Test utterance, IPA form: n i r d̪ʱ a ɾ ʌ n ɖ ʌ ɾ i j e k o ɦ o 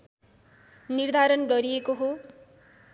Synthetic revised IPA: n i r d̪ʱ a ɾ ʌ n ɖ ʌ ɾ i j e k o ɦ o